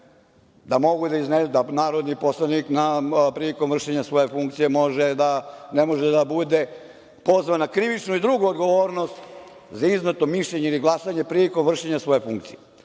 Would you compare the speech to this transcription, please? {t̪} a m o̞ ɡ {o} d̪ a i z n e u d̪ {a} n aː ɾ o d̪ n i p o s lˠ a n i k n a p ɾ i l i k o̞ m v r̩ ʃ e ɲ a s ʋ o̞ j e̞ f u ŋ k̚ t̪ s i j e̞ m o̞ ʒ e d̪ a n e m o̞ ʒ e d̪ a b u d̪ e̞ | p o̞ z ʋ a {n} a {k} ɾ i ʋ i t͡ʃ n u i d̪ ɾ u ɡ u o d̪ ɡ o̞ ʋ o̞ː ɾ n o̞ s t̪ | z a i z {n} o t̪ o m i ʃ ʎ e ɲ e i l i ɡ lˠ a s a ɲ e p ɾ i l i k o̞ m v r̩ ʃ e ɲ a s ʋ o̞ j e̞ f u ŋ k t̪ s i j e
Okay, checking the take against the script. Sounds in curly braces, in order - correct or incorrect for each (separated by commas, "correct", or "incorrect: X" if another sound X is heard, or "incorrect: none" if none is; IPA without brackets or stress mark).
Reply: incorrect: d̪, incorrect: u, correct, correct, correct, correct